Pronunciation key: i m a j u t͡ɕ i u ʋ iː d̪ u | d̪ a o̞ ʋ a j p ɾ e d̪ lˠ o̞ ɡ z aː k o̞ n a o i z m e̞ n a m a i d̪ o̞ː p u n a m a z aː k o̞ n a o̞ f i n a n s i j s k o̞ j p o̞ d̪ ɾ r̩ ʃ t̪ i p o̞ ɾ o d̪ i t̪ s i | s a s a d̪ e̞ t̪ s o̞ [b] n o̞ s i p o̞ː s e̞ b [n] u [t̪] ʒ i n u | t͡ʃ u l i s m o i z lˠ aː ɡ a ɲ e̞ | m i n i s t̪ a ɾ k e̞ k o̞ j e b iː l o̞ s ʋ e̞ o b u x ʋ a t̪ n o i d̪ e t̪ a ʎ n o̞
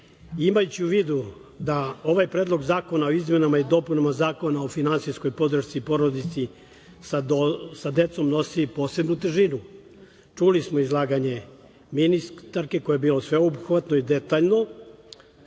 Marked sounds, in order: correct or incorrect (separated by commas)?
incorrect, correct, correct